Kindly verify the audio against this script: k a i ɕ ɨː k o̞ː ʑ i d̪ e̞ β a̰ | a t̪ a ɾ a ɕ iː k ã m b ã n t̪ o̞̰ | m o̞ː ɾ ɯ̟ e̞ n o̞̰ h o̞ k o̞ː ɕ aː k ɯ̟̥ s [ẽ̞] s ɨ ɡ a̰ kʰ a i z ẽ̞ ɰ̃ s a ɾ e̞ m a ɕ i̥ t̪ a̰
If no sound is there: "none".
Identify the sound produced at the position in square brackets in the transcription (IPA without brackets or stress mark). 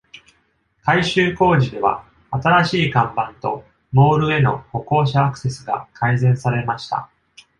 e̞